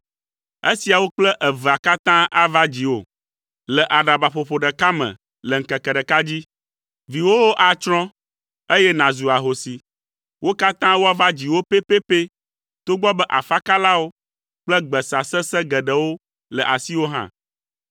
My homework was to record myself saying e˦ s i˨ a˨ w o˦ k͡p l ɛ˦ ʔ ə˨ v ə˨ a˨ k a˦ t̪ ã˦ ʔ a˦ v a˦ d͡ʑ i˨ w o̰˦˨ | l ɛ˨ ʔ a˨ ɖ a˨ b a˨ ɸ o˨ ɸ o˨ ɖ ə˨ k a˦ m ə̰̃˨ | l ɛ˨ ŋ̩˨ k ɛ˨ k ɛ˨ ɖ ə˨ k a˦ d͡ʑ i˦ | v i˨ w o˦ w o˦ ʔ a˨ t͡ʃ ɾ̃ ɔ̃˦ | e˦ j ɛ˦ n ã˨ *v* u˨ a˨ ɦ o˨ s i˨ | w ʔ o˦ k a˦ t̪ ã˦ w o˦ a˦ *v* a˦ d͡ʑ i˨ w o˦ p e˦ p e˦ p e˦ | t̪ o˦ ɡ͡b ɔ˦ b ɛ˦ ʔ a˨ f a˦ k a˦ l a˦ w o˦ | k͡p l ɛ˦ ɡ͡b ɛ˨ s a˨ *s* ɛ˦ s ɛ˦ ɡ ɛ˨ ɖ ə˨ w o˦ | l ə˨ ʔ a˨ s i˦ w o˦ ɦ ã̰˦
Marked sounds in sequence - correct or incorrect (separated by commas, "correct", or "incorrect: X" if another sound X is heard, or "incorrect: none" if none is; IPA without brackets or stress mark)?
incorrect: z, correct, correct